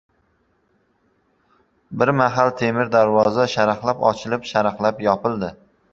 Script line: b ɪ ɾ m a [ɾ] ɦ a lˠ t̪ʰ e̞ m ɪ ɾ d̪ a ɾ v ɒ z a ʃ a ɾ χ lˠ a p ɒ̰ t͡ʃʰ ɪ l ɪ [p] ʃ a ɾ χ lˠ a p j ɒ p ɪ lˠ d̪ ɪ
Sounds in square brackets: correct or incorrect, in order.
incorrect: none, correct

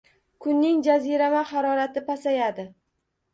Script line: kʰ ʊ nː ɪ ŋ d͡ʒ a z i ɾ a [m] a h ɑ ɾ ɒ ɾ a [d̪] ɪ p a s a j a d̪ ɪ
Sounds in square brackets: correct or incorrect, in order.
correct, incorrect: t̪

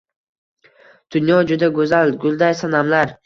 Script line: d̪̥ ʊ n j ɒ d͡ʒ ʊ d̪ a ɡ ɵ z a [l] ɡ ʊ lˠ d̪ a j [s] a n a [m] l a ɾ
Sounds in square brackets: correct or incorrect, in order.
correct, correct, correct

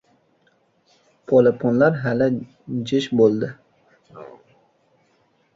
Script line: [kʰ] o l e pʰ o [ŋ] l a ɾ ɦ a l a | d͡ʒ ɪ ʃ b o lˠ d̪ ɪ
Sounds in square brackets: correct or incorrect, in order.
incorrect: pʰ, incorrect: n

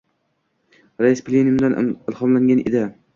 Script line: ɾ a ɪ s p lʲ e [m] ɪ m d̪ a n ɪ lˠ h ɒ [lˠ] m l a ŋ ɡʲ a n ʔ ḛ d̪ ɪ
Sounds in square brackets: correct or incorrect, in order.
incorrect: n, incorrect: none

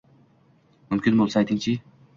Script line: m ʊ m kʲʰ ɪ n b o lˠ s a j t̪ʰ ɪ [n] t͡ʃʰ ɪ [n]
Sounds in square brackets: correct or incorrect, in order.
incorrect: ŋ, incorrect: none

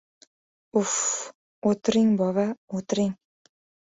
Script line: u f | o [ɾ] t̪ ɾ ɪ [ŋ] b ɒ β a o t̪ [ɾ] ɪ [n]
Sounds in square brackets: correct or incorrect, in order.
incorrect: none, correct, correct, incorrect: ŋ

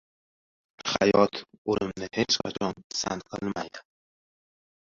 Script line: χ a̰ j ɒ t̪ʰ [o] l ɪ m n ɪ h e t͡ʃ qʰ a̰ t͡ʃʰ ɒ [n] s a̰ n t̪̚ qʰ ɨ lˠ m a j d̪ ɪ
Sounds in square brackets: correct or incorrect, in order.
correct, correct

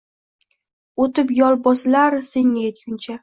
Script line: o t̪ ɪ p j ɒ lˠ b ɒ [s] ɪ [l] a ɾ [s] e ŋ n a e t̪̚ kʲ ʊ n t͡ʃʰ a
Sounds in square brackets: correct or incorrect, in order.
correct, correct, correct

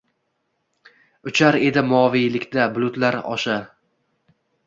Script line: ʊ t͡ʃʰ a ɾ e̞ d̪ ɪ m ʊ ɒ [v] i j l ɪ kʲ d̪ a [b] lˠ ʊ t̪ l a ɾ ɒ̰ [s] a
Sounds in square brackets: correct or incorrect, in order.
correct, correct, incorrect: ʃ

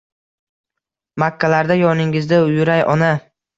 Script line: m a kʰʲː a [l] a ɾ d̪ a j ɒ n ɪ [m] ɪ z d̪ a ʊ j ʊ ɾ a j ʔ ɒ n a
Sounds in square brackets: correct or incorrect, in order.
correct, incorrect: ŋ

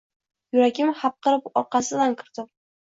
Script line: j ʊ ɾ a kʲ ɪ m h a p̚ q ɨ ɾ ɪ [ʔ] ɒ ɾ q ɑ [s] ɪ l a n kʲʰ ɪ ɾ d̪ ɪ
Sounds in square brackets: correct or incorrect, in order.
incorrect: p, correct

